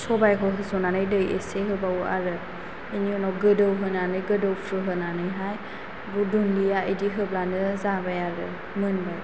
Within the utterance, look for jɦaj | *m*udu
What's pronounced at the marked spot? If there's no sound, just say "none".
b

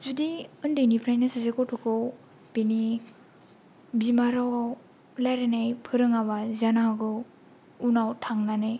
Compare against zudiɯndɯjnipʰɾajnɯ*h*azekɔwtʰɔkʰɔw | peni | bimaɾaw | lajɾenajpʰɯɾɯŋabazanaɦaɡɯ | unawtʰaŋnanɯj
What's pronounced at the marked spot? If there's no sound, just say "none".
s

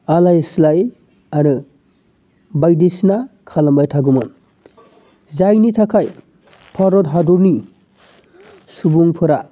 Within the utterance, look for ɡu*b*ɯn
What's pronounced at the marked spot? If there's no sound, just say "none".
m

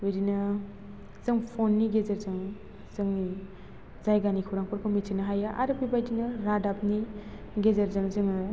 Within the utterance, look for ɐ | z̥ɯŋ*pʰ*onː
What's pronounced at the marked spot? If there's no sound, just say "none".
pʰ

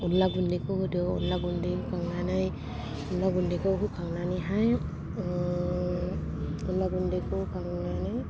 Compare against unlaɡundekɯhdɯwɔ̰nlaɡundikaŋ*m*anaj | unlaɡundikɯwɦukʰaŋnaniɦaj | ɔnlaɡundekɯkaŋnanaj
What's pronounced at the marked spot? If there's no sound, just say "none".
n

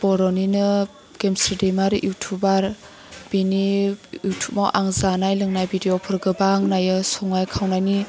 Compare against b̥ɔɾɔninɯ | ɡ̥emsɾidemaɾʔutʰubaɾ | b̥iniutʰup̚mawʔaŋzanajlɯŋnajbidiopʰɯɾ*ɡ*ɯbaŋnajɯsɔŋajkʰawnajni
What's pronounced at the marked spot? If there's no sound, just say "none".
ɡ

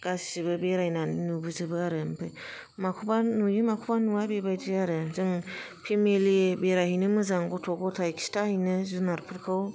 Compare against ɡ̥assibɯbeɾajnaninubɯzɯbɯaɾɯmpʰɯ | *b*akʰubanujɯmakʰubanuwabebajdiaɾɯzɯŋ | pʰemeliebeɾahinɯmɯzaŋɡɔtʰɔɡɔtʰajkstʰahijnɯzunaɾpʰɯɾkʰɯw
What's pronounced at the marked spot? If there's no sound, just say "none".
m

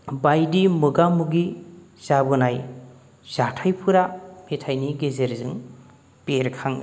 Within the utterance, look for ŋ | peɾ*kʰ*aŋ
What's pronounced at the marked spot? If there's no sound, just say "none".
kʰ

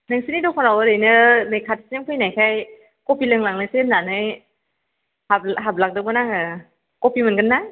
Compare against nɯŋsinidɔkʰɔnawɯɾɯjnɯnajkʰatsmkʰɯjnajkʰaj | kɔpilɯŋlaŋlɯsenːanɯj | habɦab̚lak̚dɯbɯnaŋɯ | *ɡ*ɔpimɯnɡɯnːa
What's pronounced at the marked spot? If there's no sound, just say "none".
k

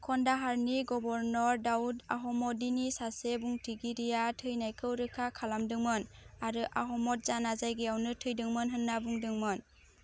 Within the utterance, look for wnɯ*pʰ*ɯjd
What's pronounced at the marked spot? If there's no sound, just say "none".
tʰ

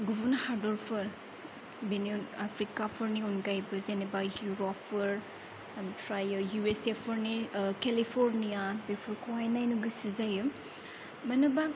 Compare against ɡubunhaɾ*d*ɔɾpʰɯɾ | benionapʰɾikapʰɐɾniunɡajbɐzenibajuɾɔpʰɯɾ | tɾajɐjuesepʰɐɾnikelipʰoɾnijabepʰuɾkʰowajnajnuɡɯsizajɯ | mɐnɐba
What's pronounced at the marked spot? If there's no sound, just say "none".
d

